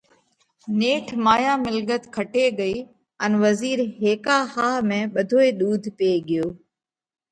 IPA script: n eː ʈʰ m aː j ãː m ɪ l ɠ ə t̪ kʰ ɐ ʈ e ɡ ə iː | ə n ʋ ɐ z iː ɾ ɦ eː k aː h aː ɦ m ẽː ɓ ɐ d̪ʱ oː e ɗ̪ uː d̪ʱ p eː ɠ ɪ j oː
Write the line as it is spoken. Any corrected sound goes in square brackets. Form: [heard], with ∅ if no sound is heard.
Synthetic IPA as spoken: n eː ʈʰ m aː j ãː m ɪ l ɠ ə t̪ kʰ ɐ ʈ e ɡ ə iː | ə n ʋ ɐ z iː ɾ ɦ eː k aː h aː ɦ m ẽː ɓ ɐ d̪ʱ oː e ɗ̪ uː d̪ʱ p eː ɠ ɪ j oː